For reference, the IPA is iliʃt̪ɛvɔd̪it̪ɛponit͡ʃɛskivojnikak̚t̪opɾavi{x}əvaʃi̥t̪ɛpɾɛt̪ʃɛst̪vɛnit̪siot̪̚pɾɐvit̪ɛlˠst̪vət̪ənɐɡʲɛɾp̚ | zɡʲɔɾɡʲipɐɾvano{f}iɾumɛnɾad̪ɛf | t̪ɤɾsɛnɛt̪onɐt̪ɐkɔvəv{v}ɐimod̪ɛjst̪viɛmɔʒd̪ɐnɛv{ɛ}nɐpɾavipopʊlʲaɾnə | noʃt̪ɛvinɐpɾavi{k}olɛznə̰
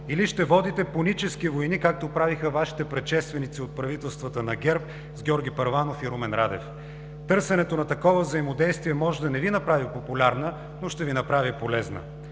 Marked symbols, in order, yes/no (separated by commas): yes, yes, no, no, no